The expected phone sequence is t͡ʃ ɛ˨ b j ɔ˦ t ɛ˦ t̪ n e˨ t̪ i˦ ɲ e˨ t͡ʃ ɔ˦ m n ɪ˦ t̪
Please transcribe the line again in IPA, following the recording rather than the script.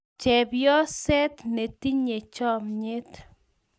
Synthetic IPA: t͡ʃ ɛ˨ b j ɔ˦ s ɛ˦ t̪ n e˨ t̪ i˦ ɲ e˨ t͡ʃ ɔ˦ m ɲ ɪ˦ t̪